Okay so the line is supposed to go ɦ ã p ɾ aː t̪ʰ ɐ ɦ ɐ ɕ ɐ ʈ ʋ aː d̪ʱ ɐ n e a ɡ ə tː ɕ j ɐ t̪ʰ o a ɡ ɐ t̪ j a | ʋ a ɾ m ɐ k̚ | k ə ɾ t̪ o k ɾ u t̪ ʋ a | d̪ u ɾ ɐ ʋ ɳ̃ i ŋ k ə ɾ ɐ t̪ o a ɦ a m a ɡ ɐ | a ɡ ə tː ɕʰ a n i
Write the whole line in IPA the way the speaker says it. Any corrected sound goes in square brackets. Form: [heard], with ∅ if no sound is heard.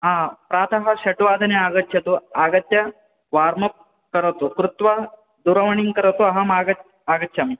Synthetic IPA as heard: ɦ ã p ɾ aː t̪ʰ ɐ ɦ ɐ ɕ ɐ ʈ ʋ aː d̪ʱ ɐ n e a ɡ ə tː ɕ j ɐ [t̪] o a ɡ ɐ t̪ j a | ʋ a ɾ m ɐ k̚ | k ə ɾ t̪ o k ɾ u t̪ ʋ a | d̪ u ɾ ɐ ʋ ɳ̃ i ŋ k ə ɾ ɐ t̪ o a ɦ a m a ɡ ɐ | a ɡ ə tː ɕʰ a [m] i